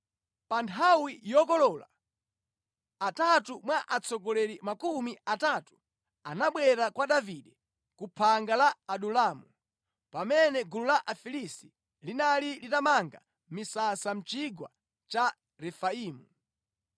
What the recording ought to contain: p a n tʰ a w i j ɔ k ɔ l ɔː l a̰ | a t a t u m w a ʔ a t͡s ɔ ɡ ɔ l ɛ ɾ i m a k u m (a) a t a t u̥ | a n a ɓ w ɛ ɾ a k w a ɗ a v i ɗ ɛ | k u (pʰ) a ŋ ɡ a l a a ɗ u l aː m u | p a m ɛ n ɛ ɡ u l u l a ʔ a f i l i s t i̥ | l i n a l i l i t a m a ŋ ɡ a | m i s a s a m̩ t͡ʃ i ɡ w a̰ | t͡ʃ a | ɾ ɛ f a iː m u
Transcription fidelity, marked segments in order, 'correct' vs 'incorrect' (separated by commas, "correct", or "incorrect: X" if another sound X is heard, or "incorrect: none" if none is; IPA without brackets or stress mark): incorrect: i, correct